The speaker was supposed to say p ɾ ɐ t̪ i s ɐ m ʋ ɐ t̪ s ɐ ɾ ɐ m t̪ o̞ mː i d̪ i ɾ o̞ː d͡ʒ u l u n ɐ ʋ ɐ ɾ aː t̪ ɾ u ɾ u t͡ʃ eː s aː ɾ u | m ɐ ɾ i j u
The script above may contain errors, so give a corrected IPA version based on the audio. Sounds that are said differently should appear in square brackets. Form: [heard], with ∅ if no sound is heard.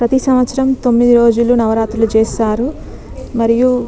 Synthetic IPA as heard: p ɾ ɐ t̪ i s ɐ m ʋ ɐ t̪ s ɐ ɾ ɐ m t̪ o̞ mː i d̪ i ɾ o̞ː d͡ʒ u l u n ɐ ʋ ɐ ɾ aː t̪ ɾ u [l] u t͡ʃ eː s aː ɾ u | m ɐ ɾ i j u